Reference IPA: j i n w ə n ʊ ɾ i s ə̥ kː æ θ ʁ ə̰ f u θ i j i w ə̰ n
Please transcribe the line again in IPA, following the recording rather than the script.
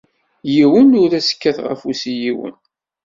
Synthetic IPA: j i w ə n ʊ ɾ æ s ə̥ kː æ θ ʁ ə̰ f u s i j i w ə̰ n